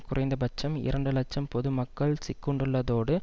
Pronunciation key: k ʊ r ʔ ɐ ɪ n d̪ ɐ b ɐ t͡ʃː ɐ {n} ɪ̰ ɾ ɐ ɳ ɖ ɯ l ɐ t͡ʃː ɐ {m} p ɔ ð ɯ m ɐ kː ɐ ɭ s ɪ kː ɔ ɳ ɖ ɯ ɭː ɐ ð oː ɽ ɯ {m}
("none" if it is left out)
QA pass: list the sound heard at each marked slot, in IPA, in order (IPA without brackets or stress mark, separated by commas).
m, m, none